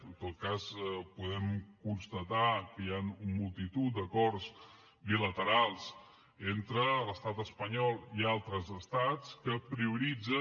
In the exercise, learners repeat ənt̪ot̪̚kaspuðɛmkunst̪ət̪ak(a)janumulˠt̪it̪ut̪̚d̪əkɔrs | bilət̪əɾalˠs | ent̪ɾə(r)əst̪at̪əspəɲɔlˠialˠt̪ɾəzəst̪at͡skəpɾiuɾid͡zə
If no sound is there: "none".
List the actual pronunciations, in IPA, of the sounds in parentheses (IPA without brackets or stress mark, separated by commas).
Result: ə, l